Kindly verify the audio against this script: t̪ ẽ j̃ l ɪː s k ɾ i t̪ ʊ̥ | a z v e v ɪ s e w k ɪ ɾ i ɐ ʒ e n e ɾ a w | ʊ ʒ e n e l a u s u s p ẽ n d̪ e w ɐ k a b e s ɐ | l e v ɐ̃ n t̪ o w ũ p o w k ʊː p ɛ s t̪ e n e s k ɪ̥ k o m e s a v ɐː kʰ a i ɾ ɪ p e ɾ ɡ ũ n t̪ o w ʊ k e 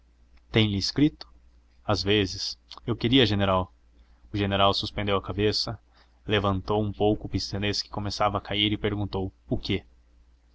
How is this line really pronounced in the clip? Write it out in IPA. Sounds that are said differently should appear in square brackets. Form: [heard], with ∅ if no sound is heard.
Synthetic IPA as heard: t̪ ẽ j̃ l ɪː s k ɾ i t̪ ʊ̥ | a z v e [z] ɪ s e w k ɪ ɾ i ɐ ʒ e n e ɾ a w | ʊ ʒ e n e [ɾ] a [w] s u s p ẽ n d̪ e w ɐ k a b e s ɐ | l e v ɐ̃ n t̪ o w ũ p o w k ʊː p [i] s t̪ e n e s k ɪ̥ k o m e s a v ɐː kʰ a i ɾ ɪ p e ɾ ɡ ũ n t̪ o w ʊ k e